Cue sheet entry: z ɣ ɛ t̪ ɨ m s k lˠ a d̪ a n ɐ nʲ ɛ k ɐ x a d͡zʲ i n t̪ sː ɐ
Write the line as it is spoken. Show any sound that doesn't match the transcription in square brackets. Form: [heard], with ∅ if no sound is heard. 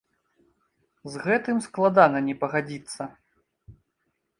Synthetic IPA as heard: z ɣ ɛ t̪ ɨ m s k lˠ a d̪ a n ɐ nʲ ɛ [p] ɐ [ɣ] a d͡zʲ i [∅] t̪ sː ɐ